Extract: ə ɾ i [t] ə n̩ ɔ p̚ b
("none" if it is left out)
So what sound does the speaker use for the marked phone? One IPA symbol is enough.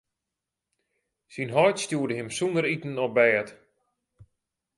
t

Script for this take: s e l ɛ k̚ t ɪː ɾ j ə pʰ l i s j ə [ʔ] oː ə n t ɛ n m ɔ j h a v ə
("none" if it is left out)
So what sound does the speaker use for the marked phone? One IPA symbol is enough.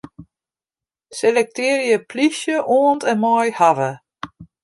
ʔ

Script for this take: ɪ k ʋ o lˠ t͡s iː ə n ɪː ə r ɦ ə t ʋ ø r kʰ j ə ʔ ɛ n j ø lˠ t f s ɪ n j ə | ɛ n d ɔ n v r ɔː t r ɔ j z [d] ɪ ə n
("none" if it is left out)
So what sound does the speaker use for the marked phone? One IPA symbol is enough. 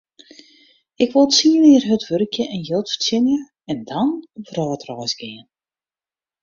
ɡ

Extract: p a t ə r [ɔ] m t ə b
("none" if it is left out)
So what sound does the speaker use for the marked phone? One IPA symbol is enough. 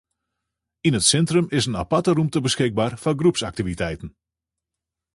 u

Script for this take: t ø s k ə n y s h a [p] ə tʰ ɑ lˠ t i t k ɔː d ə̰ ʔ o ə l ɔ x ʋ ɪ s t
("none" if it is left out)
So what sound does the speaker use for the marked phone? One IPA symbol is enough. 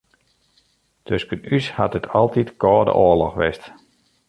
t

